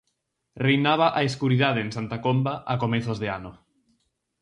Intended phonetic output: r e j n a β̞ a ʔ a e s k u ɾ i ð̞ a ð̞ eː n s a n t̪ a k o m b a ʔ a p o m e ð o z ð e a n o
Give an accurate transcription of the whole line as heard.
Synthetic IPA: r e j n a β̞ a ʔ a e s k u ɾ i ð̞ a ð̞ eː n s a n t̪ a k o m b a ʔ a k o m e θ o z ð e a n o

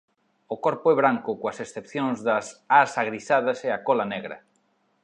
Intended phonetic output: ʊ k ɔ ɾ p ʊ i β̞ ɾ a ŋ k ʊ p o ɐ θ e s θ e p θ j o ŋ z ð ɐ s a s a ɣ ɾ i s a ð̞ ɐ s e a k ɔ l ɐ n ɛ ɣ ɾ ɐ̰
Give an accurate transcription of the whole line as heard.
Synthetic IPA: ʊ k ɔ ɾ p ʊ ɛ β̞ ɾ a ŋ k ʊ k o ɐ s e s θ e p θ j o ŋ z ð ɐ s a s a ɣ ɾ i s a ð̞ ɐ s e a k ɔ l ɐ n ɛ ɣ ɾ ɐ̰

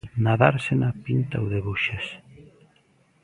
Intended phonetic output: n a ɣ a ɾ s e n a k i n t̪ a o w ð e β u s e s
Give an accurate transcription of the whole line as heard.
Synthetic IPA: n a ð a ɾ s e n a p i n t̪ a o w ð e β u ʃ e s

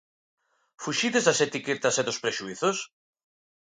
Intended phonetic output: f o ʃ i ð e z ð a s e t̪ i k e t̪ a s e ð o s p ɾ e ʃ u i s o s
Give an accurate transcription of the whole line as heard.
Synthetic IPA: f u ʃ i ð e z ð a s e t̪ i k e t̪ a s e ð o s p ɾ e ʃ u i θ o s

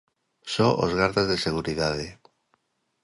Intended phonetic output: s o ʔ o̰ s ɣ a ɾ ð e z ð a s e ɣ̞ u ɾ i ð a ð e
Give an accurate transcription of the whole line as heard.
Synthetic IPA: s o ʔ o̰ z ɣ a ɾ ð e z ð e s e ɣ̞ u ɾ i ð a ð e

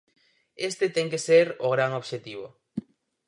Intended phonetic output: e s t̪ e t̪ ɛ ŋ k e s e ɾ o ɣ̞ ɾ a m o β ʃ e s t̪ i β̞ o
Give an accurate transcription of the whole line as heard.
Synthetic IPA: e s t̪ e t̪ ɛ ŋ k e s e ɾ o ɣ̞ ɾ a ŋ o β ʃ e t̪ i β̞ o

